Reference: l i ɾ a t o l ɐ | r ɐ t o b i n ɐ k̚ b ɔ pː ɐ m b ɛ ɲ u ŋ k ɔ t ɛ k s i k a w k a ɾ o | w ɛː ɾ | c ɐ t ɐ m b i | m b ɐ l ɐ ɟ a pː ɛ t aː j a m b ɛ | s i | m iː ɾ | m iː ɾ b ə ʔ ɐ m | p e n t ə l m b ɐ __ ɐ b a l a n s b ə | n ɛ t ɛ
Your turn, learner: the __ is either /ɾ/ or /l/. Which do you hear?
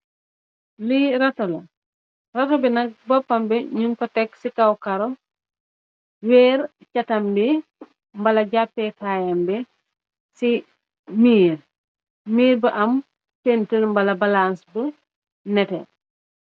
l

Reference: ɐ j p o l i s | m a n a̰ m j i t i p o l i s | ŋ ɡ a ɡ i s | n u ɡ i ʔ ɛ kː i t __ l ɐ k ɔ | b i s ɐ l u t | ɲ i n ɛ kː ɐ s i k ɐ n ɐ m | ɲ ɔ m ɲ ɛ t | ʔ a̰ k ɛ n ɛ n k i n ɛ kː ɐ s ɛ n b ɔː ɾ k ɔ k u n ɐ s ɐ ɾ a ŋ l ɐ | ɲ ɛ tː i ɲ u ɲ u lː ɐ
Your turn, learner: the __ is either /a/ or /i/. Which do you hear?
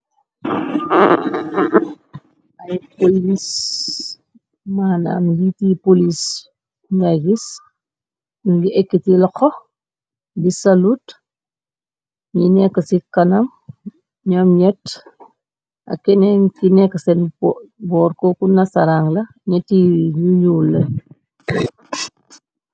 i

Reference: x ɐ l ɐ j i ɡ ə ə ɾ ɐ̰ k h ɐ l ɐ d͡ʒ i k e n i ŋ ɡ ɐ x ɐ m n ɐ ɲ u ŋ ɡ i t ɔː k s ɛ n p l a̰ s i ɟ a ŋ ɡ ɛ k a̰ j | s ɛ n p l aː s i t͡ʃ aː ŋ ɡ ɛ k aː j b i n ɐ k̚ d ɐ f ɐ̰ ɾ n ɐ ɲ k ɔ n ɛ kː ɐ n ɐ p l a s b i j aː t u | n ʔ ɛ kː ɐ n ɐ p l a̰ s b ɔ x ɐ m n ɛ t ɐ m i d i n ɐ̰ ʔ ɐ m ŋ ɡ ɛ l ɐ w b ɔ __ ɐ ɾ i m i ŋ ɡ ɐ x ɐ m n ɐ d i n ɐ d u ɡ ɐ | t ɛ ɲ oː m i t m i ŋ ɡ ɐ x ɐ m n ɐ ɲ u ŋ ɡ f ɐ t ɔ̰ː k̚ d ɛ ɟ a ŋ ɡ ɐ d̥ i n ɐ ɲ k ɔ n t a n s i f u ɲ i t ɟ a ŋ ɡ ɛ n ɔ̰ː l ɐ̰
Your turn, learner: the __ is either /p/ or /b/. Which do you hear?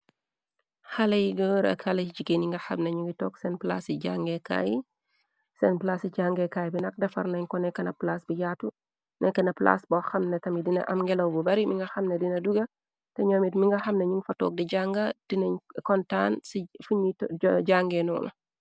b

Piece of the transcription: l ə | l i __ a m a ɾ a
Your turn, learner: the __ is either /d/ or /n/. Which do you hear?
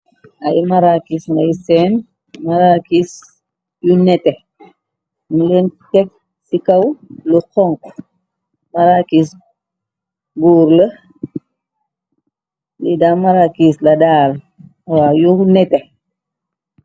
d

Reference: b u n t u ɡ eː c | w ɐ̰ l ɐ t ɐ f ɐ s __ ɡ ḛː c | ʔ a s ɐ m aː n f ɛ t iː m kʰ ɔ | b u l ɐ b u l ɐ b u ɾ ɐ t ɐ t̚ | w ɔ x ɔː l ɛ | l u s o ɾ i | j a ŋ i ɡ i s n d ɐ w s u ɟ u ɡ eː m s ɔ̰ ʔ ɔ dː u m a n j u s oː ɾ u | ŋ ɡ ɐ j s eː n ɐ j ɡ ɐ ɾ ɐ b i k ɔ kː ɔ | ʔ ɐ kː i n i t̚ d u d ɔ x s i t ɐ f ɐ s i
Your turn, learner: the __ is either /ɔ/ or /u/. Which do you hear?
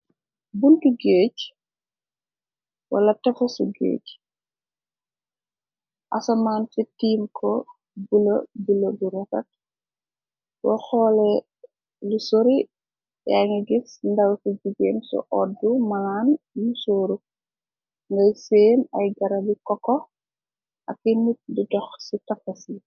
u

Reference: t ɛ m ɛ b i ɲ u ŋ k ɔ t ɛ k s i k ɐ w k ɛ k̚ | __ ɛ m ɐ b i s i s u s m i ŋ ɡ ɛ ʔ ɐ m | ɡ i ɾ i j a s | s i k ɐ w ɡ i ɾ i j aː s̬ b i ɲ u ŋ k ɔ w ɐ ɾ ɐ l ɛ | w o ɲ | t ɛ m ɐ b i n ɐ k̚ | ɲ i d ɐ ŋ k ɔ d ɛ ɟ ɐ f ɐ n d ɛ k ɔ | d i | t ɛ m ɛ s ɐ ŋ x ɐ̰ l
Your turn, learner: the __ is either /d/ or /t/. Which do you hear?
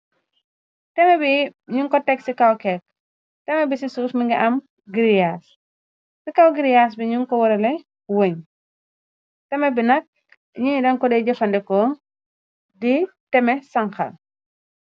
t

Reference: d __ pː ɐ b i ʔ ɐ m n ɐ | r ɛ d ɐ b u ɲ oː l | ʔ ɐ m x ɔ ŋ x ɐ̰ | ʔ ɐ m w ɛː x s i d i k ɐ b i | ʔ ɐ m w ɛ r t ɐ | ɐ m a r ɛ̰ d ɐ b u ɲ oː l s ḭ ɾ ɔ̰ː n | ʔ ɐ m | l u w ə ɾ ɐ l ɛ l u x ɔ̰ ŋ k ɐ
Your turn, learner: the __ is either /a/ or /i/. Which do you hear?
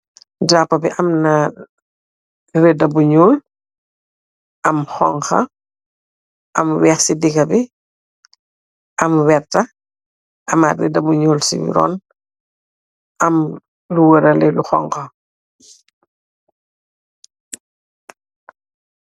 a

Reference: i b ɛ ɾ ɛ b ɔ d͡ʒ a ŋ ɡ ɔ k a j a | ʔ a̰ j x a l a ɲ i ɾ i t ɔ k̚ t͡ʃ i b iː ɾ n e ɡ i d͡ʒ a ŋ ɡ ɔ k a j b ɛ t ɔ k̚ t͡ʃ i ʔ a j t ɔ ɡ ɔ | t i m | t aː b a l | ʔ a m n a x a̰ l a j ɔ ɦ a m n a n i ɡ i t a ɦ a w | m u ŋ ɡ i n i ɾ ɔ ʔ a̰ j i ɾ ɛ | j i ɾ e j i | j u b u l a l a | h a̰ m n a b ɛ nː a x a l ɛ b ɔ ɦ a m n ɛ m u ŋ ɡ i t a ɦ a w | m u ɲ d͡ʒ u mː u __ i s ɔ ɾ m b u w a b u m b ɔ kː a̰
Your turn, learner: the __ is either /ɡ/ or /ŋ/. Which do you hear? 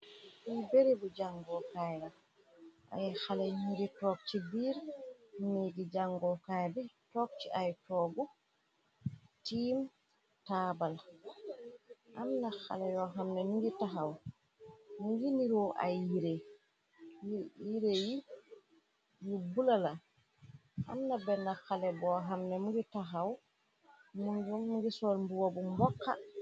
ɡ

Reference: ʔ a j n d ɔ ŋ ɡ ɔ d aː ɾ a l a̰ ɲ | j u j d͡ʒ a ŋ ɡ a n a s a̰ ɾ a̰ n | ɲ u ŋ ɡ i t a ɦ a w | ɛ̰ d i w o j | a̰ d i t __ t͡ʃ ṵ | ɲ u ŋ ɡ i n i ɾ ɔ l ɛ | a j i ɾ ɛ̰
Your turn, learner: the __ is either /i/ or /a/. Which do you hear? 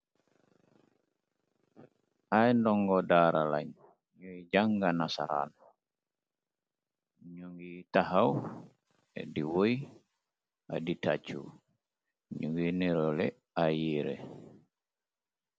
a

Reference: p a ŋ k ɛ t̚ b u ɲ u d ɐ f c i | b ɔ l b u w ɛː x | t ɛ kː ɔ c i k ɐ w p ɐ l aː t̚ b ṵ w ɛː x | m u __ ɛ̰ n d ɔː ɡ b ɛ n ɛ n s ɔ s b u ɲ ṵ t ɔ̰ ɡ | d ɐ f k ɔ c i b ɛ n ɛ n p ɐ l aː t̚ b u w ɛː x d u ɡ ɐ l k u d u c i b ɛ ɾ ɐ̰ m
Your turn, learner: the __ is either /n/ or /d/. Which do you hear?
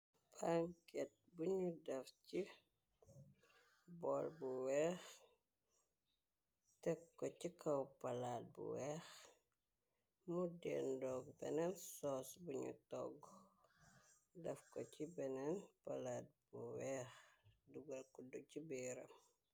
d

